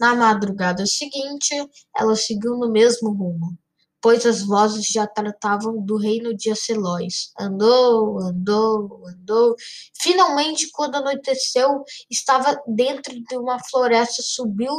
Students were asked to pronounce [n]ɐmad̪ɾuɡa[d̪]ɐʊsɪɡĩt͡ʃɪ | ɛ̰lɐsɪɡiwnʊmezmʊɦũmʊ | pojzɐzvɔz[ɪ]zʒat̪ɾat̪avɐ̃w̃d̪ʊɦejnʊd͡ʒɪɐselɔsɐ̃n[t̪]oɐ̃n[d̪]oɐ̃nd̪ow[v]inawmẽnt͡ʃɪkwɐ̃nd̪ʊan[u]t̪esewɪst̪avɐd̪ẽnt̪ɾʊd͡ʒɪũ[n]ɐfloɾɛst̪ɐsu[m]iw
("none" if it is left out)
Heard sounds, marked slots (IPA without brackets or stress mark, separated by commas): n, d̪, ɪ, d̪, d̪, f, o, m, b